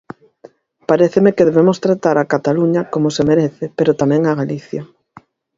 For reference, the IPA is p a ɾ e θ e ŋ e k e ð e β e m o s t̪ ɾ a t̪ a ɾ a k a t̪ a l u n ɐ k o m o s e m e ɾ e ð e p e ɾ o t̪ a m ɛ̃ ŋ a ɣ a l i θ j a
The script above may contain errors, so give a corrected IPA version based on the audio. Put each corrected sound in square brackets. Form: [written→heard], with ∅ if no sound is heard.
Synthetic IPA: p a ɾ e θ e [ŋ→m] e k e ð e β e m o s t̪ ɾ a t̪ a ɾ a k a t̪ a l u [n→ɲ] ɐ k o m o s e m e ɾ e [ð→θ] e p e ɾ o t̪ a m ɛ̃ ŋ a ɣ a l i θ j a